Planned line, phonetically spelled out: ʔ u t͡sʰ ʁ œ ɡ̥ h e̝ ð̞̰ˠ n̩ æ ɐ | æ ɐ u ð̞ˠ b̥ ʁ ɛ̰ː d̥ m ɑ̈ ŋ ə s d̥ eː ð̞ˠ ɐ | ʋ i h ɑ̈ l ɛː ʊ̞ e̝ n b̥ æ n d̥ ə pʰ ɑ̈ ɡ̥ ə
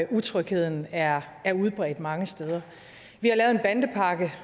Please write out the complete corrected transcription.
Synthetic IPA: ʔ u t͡sʰ ʁ œ ɡ̥ h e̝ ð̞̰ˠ n̩ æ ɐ | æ ɐ u ð̞ˠ b̥ ʁ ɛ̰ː d̥ m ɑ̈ ŋ ə s d̥ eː ð̞ˠ ɐ | ʋ i h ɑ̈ l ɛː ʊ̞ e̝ n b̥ æ n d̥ ə pʰ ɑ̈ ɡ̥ ə

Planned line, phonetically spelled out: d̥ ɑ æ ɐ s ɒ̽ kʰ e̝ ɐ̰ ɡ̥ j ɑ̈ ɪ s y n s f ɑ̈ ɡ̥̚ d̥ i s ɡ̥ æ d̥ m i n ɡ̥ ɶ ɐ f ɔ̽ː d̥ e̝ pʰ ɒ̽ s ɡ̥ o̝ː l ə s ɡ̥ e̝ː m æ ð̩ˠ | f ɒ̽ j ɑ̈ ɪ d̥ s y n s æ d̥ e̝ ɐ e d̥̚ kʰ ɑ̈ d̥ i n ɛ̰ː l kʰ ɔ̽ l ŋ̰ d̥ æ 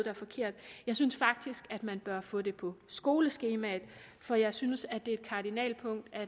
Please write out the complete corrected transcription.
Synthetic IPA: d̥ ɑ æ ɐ f ɒ̽ kʰ e̝ ɐ̰ d̥ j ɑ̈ ɪ s y n s f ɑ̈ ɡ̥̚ d̥ i s ɡ̥ æ d̥ m æ n b̥ ɶ ɐ f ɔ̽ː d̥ e̝ pʰ ɒ̽ s ɡ̥ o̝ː l ə s ɡ̥ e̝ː m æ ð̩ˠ | f ɒ̽ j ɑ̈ ɪ s y n s æ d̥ e̝ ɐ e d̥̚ kʰ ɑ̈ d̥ i n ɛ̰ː l pʰ ɔ̽ ŋ̰ d̥ æ

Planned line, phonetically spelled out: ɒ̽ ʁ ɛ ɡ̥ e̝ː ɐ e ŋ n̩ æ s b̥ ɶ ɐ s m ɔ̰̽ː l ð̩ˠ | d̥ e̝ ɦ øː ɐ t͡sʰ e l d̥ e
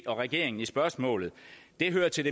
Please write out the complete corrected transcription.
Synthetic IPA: ɒ̽ ʁ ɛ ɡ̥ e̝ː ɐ e ŋ n̩ i s b̥ ɶ ɐ s m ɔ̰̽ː l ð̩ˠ | d̥ e̝ ɦ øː ɐ t͡sʰ e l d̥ e

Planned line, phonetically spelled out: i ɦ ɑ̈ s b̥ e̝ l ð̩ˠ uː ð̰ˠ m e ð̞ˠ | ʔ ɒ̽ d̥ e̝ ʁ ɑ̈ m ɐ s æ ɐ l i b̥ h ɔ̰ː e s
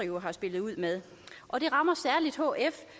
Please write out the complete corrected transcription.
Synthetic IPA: i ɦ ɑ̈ s b̥ e̝ l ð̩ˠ u ð̰ˠ m e ð̞ˠ | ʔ ɒ̽ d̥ e̝ ʁ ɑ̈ m ɐ s æ ɐ l i d̥ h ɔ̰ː e f

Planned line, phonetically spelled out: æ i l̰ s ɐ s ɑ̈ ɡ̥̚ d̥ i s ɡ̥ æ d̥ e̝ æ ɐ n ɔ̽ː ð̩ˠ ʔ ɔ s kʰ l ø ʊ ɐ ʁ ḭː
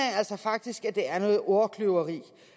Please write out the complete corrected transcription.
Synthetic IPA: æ æ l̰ s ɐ f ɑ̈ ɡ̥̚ d̥ i s ɡ̥ æ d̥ e̝ æ ɐ n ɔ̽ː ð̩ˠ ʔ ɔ kʰ l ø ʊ ɐ ʁ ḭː

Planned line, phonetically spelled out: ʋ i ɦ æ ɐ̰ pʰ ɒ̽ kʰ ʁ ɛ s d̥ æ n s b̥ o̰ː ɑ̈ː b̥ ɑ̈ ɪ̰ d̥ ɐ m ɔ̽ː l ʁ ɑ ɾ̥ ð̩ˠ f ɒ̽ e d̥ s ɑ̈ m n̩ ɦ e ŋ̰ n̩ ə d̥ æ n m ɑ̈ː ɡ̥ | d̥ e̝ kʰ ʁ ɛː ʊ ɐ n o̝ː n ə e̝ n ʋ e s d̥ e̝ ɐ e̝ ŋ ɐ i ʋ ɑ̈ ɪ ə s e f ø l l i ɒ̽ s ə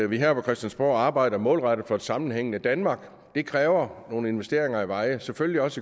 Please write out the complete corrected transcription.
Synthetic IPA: ʋ i ɦ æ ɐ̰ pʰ ɒ̽ kʰ ʁ ɛ s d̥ æ n s b̥ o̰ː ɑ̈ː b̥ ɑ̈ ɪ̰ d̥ ɐ m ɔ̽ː l ʁ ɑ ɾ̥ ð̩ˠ f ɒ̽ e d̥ s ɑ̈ m n̩ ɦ e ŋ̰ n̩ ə d̥ æ n m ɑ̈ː ɡ̥ | d̥ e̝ kʰ ʁ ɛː ʊ ɐ n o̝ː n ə e̝ n ʋ e s d̥ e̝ ɐ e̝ ŋ ɐ i ʋ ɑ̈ ɪ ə s e f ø l l i ɒ̽ s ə

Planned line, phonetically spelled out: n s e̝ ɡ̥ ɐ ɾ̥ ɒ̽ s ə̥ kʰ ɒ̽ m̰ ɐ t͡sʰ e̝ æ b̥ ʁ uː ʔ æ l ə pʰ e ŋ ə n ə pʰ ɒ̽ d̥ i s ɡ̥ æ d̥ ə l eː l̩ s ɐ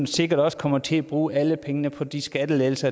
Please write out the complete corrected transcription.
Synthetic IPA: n s e̝ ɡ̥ ɐ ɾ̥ ɒ̽ s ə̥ kʰ ɒ̽ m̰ ɐ t͡sʰ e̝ æ b̥ ʁ uː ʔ æ l ə pʰ e ŋ ə n ə pʰ ɒ̽ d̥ i s ɡ̥ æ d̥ ə l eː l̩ s ɐ

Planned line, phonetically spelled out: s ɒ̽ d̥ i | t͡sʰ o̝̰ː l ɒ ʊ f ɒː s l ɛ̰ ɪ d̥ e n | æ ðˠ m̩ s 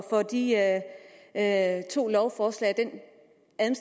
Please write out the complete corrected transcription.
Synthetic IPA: f ɒ̽ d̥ i | t͡sʰ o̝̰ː l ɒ ʊ f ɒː s l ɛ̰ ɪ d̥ e n | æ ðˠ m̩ s

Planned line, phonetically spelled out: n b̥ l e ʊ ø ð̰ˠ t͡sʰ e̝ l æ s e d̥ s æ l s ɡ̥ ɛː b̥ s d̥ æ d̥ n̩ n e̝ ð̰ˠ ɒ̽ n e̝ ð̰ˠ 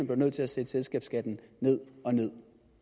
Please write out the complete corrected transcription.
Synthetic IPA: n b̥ l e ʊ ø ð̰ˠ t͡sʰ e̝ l æ s e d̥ s e l s ɡ̥ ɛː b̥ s ɡ̥ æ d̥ n̩ n e̝ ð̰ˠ ɒ̽ n e̝ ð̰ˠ

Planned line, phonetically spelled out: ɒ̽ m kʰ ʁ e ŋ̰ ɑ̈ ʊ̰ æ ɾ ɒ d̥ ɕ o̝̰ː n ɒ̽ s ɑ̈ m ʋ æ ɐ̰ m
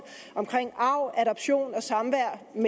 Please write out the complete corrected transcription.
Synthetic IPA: ɒ̽ m kʰ ʁ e ŋ̰ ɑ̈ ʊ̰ æ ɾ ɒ b̥ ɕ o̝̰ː n ɒ̽ s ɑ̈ m ʋ æ ɐ̰ m

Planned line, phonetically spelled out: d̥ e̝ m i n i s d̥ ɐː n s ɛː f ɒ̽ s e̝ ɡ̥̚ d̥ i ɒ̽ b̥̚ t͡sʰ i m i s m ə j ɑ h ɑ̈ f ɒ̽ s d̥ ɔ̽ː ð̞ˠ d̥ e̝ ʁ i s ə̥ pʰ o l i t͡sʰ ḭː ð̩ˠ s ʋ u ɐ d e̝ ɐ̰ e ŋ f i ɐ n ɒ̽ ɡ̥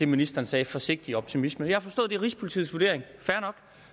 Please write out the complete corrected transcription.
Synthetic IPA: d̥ e̝ m i n i s d̥ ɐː n s ɛː f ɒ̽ s e̝ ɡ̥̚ d̥ i ɒ̽ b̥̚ t͡sʰ i m i s m ə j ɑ h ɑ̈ f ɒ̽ s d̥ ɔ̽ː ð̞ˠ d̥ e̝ ʁ i s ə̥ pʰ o l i t͡sʰ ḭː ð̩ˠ s ʋ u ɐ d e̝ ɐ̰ e ŋ f æ ɐ n ɒ̽ ɡ̥

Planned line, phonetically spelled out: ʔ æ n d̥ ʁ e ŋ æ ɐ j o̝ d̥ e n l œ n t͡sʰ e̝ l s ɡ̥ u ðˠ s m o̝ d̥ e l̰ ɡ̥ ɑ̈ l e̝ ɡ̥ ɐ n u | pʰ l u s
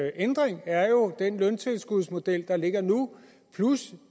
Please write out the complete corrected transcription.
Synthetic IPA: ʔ e n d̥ ʁ e ŋ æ ɐ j o̝ d̥ e n l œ n t͡sʰ e̝ l s ɡ̥ u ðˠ s m o̝ d̥ e l̰ d̥ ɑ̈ l e̝ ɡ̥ ɐ n u | pʰ l u s

